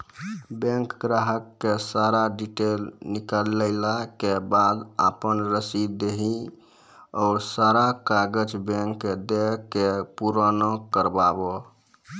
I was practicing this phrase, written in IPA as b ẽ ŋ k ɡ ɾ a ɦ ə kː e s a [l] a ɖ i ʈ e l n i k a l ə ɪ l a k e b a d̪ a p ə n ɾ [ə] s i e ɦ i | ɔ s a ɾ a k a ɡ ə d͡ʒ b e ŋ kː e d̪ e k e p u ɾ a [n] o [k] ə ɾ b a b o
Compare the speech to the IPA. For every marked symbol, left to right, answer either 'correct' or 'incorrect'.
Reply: incorrect, correct, correct, correct

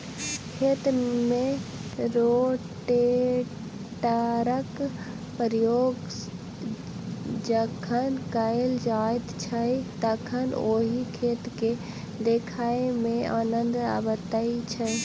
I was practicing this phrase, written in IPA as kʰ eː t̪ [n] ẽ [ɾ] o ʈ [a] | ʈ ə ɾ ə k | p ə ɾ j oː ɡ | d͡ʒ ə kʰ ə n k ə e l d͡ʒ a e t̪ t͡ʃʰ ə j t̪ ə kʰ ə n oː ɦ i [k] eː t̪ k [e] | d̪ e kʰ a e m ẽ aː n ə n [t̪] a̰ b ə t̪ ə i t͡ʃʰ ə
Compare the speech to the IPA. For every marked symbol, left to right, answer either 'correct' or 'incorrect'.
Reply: incorrect, correct, incorrect, incorrect, correct, incorrect

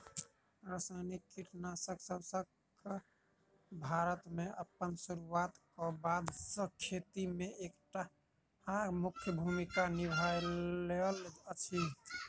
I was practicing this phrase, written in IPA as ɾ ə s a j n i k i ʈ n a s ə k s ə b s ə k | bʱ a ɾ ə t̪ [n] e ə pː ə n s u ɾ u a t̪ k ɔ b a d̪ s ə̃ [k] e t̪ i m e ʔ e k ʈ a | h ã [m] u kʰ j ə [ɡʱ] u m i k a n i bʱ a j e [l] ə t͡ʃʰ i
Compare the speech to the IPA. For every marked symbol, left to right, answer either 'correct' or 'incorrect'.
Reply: incorrect, incorrect, correct, incorrect, correct

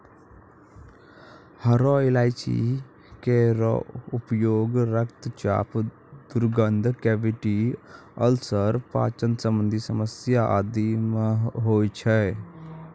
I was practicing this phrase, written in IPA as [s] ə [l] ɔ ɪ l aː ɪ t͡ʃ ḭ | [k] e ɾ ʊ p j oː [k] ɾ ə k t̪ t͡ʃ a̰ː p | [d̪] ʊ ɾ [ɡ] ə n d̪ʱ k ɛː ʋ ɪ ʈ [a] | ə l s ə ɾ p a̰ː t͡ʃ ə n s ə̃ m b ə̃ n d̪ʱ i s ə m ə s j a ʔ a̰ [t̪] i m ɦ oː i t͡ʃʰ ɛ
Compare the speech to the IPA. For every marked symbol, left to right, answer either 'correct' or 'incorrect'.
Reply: incorrect, incorrect, correct, incorrect, correct, correct, incorrect, incorrect

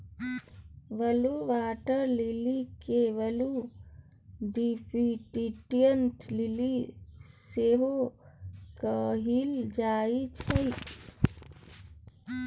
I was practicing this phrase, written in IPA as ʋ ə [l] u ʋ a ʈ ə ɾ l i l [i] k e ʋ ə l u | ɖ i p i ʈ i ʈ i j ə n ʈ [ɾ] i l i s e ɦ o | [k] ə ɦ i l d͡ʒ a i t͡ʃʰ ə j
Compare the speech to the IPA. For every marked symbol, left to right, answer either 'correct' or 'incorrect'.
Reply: correct, correct, incorrect, correct

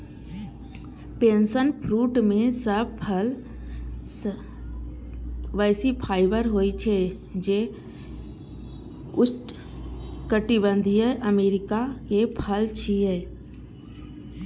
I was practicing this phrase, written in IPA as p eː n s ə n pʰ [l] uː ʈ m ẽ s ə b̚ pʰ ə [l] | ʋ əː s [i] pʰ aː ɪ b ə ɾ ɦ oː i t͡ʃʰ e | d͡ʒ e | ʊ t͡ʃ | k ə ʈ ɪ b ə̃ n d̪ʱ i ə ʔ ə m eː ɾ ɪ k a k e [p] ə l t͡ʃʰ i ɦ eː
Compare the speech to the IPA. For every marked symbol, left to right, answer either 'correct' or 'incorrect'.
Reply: incorrect, correct, correct, incorrect

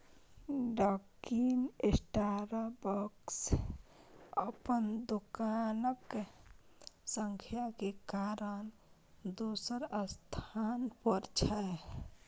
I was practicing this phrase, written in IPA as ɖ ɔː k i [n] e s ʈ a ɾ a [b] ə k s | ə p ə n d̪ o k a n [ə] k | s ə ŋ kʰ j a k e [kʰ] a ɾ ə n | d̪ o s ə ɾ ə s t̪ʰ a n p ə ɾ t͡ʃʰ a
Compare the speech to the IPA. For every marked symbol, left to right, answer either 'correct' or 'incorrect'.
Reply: correct, correct, correct, incorrect

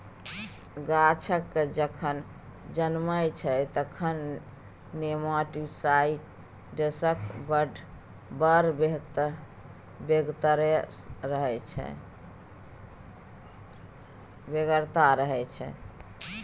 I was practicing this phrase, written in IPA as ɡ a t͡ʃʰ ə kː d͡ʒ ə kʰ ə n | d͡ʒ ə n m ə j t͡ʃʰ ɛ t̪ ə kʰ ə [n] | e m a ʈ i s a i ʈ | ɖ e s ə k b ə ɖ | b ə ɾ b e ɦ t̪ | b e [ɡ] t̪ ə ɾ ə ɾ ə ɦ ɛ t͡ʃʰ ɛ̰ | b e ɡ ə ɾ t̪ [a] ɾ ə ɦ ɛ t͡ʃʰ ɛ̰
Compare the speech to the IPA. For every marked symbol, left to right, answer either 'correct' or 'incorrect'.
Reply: incorrect, correct, correct

